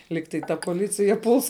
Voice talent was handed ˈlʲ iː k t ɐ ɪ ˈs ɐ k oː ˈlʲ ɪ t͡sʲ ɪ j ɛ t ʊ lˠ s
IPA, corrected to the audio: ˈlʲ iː k t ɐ ɪ ˈt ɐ p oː ˈlʲ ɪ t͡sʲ ɪ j ɛ p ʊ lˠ s